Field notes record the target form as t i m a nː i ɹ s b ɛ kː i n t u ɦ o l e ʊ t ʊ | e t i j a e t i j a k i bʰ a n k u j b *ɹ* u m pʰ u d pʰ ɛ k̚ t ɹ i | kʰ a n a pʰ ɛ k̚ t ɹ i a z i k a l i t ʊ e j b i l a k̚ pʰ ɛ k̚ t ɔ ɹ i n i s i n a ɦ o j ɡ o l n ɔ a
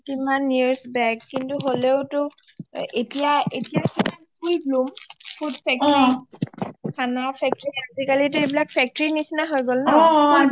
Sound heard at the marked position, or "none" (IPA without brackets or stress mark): l